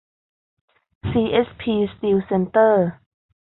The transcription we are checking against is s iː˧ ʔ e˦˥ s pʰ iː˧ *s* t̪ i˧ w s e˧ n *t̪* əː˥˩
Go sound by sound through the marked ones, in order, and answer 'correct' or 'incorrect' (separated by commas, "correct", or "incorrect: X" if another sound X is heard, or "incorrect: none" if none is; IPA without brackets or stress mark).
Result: correct, correct